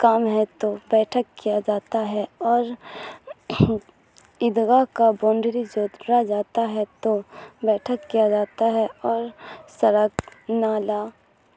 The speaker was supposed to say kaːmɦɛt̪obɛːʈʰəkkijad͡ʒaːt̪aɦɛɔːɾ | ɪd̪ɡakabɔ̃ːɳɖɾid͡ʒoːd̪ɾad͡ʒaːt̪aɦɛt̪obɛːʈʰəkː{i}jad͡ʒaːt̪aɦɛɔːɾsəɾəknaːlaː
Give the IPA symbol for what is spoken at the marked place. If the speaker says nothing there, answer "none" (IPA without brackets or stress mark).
i